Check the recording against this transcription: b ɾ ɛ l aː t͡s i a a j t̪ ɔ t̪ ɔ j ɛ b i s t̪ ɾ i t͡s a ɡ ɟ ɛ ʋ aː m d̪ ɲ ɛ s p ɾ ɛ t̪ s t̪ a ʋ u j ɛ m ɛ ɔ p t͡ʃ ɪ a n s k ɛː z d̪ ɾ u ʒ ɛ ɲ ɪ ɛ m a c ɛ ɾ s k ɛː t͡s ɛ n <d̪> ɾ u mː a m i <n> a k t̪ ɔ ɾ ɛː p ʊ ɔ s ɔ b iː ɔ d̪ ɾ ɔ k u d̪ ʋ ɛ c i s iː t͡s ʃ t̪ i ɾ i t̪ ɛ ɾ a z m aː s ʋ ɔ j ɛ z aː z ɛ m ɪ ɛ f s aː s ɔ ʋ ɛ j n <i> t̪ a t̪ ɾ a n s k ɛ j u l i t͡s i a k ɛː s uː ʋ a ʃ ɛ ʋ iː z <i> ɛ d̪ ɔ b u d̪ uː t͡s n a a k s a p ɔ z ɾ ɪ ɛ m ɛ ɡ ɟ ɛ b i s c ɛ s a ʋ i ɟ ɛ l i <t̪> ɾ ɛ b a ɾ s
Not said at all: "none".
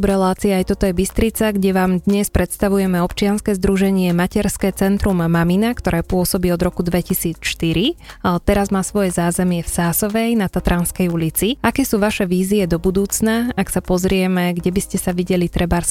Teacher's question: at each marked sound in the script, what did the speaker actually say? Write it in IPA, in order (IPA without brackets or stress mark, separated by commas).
t̪, n, a, i, t̪